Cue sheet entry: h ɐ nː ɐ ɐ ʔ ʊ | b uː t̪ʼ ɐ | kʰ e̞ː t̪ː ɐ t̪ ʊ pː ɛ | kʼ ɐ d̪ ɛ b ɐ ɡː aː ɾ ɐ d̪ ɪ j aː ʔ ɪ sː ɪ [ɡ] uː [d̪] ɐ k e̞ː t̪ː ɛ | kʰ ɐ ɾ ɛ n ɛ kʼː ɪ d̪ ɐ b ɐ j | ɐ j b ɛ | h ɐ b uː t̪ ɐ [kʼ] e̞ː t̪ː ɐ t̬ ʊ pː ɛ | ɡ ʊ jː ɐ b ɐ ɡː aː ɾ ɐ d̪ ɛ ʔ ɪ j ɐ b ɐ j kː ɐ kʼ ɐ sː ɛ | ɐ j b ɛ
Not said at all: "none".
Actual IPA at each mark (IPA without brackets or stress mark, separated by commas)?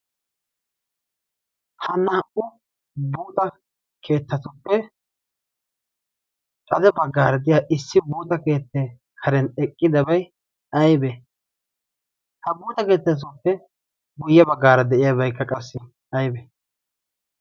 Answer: b, t̪, k